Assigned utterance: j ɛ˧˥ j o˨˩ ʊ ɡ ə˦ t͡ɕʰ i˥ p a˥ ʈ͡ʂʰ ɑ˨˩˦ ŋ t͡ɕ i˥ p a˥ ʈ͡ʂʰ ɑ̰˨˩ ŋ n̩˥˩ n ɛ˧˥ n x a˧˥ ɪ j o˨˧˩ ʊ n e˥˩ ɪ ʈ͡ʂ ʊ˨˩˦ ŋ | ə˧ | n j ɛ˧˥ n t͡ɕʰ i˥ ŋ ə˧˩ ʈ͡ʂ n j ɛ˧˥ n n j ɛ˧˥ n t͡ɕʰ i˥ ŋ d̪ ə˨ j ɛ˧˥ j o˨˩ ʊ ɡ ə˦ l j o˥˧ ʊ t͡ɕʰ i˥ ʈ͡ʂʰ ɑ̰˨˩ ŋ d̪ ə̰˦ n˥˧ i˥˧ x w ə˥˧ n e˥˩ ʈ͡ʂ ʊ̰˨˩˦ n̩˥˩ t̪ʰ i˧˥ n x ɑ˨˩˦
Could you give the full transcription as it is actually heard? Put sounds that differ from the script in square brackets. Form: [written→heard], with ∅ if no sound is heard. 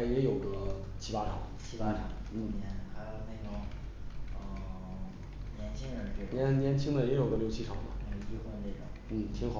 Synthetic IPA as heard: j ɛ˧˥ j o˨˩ ʊ ɡ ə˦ t͡ɕʰ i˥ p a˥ ʈ͡ʂʰ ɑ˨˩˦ ŋ [t͡ɕ→t͡ɕʰ] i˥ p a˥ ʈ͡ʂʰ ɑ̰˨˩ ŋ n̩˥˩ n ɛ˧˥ n x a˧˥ ɪ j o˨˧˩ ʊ n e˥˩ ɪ ʈ͡ʂ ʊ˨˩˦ ŋ | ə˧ | n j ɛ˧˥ n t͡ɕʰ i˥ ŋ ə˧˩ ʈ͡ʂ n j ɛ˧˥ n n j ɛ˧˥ n t͡ɕʰ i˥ ŋ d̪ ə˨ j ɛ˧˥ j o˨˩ ʊ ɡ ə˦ l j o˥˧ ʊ t͡ɕʰ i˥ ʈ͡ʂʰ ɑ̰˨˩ ŋ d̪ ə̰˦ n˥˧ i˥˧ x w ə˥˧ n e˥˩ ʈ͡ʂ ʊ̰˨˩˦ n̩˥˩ t̪ʰ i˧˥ [n→ŋ] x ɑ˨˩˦